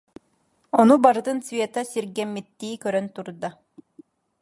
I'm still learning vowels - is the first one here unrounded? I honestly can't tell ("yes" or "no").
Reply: no